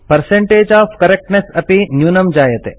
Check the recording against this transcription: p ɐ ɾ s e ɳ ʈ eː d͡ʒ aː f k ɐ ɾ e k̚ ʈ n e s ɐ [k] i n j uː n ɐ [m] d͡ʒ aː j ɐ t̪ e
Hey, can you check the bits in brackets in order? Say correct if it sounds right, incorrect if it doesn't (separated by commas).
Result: incorrect, correct